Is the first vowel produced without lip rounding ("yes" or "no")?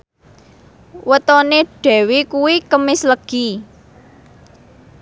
yes